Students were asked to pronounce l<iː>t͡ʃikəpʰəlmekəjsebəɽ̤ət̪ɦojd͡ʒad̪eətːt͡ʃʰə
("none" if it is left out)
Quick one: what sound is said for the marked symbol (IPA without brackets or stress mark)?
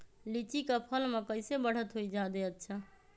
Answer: i